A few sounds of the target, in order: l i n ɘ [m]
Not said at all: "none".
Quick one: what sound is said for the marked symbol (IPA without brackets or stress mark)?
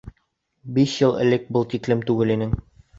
ŋ